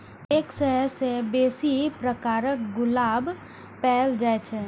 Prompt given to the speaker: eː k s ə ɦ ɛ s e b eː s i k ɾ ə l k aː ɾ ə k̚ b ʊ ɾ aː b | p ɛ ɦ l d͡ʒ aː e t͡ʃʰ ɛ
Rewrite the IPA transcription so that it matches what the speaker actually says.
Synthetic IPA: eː k s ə ɦ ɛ s e b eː s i p ɾ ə k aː ɾ ə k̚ ɡ ʊ l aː b | p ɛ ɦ l d͡ʒ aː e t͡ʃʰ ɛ